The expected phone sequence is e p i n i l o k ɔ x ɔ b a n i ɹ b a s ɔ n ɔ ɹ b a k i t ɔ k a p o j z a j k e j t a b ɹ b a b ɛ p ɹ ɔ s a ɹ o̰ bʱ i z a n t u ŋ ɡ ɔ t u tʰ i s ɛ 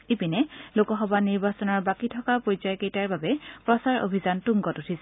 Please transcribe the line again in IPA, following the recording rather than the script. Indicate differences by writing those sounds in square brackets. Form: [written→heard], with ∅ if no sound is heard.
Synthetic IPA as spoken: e p i n [i→ɛ] l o k ɔ x ɔ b a n i ɹ b a s ɔ n ɔ ɹ b a k i [t→tʰ] ɔ k a p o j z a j k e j t a [b→∅] ɹ b a b ɛ p ɹ ɔ s a ɹ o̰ bʱ i z a n t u ŋ ɡ ɔ t u tʰ i s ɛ